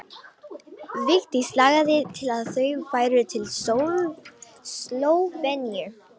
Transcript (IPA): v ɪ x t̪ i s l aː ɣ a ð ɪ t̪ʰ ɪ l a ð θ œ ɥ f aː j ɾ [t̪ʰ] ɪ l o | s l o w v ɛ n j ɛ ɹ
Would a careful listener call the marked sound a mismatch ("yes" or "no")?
no